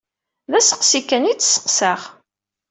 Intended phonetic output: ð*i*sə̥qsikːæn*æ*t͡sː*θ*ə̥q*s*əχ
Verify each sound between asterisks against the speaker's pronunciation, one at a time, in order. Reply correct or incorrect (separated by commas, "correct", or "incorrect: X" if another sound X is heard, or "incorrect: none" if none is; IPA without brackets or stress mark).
incorrect: æ, incorrect: i, incorrect: s, correct